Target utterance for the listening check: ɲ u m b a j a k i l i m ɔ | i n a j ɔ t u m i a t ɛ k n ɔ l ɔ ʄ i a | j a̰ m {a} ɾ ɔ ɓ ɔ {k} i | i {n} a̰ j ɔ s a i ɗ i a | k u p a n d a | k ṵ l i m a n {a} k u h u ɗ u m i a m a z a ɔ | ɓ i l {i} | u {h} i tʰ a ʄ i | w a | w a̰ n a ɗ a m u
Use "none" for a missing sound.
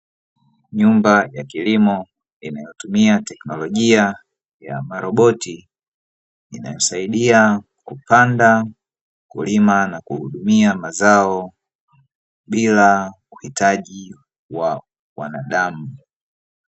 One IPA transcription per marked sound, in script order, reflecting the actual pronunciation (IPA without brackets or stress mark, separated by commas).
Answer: a, t, n, a, a, h